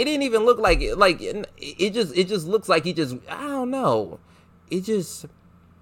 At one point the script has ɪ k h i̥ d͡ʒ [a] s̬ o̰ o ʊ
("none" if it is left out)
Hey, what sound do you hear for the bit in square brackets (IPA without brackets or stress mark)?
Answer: ʌ